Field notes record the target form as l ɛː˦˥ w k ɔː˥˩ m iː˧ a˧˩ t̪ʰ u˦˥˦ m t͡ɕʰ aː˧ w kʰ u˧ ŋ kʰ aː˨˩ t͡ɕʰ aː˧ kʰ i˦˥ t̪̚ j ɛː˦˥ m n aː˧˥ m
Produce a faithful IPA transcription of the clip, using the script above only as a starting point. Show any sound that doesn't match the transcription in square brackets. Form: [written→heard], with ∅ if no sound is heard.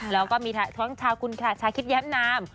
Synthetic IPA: l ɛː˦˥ w k ɔː˥˩ m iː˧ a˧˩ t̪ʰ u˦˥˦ [m→ŋ] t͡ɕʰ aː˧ w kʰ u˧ [ŋ→n] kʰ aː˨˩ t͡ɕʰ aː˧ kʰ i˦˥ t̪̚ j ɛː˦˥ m n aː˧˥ m